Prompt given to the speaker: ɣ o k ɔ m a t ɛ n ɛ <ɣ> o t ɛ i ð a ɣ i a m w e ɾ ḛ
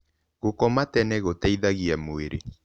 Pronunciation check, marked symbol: correct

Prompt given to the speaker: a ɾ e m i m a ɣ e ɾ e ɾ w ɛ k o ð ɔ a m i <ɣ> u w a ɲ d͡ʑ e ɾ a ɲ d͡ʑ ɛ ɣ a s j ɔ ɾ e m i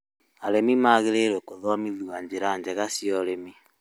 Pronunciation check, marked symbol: incorrect: ð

